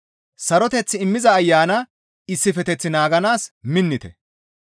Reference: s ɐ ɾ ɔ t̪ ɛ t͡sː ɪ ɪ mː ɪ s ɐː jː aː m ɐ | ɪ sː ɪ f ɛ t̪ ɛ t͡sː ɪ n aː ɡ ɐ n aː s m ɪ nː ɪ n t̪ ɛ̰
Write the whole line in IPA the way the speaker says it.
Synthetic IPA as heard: s ɐ ɾ ɔ t̪ ɛ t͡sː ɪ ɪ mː ɪ z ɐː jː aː n ɐ | ɪ sː ɪ f ɛ t̪ ɛ t͡sː ɪ n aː ɡ ɐ n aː s m ɪ nː ɪ t̪ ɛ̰